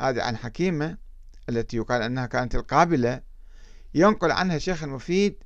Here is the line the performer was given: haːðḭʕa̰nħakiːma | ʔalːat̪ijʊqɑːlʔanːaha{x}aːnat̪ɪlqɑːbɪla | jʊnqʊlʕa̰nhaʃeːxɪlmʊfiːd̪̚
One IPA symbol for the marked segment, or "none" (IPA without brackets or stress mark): k